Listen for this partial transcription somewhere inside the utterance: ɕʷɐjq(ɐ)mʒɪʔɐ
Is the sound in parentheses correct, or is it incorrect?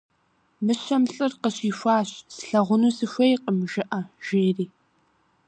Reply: incorrect